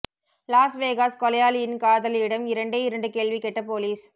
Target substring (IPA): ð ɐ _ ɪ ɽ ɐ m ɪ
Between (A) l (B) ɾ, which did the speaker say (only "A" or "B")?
A